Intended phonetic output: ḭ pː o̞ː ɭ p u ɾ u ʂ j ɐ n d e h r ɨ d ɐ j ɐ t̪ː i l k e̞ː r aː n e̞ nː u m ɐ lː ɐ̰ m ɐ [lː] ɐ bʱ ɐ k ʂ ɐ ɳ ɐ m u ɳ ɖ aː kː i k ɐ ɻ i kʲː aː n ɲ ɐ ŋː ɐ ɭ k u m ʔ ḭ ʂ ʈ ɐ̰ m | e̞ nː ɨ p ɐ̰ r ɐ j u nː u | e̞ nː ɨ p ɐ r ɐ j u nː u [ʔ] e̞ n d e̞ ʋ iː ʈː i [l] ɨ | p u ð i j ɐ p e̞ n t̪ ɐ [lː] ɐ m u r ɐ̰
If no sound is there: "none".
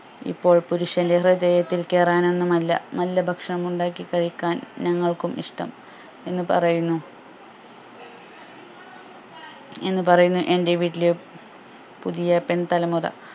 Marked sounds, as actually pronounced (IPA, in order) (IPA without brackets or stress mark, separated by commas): lː, ʔ, l, l